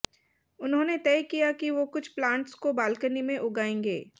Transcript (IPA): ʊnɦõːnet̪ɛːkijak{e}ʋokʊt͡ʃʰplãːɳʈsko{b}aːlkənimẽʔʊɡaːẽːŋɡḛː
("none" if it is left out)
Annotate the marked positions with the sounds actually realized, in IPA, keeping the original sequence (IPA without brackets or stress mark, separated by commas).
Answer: i, b